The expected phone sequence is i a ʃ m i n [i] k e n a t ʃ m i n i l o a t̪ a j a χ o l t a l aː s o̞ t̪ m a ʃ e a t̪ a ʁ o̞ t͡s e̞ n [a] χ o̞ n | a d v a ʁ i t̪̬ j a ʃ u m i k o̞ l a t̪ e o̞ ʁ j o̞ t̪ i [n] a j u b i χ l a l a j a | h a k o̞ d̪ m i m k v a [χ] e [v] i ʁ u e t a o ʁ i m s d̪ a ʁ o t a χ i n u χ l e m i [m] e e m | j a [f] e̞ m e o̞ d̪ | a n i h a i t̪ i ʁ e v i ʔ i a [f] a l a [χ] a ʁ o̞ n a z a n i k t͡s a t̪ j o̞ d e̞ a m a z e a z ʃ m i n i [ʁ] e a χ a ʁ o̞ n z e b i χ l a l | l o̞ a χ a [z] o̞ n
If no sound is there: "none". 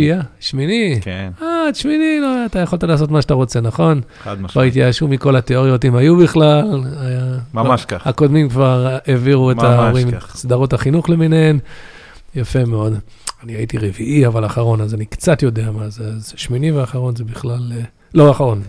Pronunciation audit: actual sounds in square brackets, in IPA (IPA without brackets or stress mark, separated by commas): i, a, m, ʁ, v, n, f, v, χ, v, ʁ